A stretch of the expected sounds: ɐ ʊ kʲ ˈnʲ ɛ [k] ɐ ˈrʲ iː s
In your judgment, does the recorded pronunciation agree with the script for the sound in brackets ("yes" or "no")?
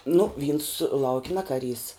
yes